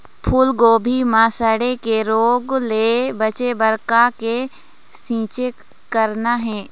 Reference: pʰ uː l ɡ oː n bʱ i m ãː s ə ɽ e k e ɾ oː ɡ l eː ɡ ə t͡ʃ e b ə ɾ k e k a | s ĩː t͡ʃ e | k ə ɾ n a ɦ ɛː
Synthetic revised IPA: pʰ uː l ɡ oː bʱ i m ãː s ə ɽ e k e ɾ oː ɡ l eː b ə t͡ʃ e b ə ɾ k a k e | s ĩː t͡ʃ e | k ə ɾ n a ɦ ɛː